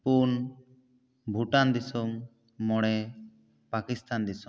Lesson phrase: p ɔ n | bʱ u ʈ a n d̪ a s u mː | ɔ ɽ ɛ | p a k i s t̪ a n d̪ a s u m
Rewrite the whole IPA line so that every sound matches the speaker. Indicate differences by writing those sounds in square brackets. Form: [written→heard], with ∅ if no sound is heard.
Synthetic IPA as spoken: p [ɔ→u] n | bʱ u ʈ a n d̪ [a→i] s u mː | ɔ ɽ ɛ | p a k i s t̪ a n d̪ [a→i] s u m